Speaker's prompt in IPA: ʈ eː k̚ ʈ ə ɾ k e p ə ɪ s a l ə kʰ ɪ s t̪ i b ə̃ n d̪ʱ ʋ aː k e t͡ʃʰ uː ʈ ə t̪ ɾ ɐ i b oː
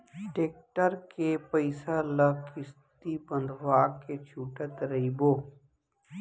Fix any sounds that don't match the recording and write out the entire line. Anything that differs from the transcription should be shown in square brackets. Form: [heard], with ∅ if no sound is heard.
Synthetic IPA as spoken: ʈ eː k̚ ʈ ə ɾ k e p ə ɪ s a l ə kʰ ɪ s t̪ i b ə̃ n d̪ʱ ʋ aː k e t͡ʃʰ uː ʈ ə t̪ ɾ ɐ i b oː